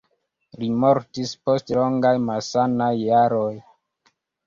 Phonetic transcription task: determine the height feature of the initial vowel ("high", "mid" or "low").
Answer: high